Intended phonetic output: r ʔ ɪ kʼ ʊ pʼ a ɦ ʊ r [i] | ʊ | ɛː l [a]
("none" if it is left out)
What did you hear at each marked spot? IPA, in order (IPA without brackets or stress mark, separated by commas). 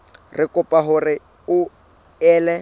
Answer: ɪ, ɛ